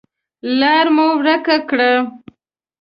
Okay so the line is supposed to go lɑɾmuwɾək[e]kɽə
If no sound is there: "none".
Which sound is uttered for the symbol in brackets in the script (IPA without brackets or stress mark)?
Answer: a